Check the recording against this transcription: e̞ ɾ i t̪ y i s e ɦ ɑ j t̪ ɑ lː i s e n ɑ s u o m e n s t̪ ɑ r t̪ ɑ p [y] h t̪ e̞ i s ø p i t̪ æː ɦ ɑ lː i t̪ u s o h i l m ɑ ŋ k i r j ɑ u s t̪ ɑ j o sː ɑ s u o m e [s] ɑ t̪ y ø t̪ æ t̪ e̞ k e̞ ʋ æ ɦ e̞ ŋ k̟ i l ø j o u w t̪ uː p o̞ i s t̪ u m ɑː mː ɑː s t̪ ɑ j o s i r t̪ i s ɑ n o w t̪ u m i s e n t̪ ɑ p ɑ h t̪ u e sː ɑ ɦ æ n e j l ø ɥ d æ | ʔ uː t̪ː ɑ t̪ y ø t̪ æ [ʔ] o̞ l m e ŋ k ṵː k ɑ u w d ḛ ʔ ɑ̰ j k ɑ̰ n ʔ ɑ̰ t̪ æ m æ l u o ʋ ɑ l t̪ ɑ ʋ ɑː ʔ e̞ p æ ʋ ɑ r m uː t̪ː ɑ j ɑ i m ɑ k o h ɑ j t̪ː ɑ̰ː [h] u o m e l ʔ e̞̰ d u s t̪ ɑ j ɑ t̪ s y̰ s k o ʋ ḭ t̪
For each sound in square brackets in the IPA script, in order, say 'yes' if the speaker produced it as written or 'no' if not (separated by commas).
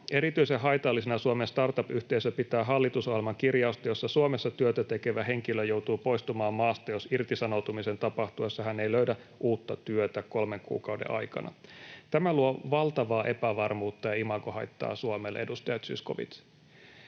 yes, no, no, no